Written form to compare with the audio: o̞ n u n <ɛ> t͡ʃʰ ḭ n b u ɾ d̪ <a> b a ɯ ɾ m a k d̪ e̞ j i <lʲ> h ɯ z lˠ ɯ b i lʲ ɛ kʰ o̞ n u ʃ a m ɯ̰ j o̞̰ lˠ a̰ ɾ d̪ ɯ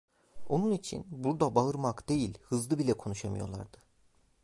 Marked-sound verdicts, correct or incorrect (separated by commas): incorrect, correct, correct